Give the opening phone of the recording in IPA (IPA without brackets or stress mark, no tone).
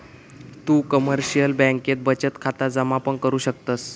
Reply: t̪